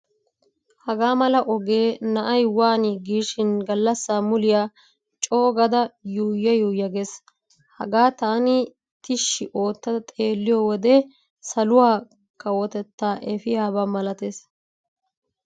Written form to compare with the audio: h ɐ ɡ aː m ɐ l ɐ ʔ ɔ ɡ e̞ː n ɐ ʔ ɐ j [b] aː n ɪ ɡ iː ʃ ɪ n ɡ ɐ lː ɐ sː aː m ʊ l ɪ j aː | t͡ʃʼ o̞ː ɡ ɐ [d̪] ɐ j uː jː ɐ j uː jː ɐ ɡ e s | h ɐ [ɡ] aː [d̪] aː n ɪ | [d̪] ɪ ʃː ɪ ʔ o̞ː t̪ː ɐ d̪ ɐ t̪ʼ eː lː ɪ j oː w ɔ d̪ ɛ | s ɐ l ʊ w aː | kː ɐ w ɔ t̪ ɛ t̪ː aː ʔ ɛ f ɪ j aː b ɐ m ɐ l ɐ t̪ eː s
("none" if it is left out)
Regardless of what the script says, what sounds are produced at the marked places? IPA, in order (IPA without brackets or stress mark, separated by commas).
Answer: w, d̪, ɡ, t̪, t̪